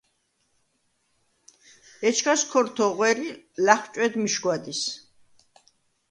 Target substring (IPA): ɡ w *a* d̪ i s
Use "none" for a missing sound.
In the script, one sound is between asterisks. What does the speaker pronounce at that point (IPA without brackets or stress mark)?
a